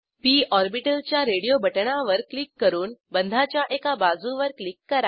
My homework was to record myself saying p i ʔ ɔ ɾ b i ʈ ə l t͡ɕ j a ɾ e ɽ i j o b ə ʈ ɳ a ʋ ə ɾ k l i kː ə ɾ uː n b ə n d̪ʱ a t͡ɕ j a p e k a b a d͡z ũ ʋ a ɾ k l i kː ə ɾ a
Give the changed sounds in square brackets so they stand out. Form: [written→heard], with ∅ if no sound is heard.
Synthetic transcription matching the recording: p i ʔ ɔ ɾ b i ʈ ə l t͡ɕ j a ɾ e ɽ i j o b ə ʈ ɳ a ʋ ə ɾ k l i kː ə ɾ uː n b ə n d̪ʱ a t͡ɕ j a [p→ʔ] e k a b a d͡z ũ ʋ [a→ə] ɾ k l i kː ə ɾ a